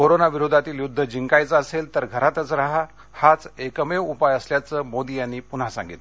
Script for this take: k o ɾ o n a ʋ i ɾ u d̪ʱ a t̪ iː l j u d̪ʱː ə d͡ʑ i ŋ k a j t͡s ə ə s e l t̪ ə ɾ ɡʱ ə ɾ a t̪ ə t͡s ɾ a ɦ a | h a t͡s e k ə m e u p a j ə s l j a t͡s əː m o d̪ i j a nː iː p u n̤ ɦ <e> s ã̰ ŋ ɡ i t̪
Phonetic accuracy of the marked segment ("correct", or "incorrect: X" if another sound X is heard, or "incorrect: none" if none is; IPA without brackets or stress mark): incorrect: a